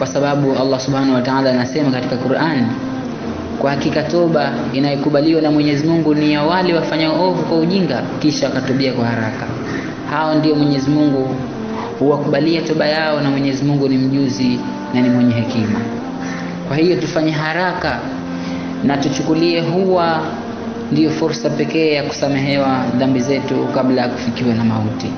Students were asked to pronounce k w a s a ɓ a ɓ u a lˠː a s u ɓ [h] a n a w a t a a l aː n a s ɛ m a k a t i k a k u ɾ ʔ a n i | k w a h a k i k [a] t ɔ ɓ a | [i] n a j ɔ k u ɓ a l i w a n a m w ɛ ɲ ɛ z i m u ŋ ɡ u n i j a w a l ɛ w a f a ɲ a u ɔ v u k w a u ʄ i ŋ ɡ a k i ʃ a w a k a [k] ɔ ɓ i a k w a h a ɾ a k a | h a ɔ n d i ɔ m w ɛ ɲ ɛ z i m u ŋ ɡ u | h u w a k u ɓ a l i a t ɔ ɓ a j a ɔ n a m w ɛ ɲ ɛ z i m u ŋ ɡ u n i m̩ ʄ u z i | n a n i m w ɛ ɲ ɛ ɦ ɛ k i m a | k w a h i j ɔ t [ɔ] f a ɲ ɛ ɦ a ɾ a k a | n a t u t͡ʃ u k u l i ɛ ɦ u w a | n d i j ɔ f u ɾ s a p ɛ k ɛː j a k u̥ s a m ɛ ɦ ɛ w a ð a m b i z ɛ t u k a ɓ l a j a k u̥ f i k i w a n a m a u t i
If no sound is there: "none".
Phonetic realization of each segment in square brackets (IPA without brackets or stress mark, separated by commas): h, a, i, t, u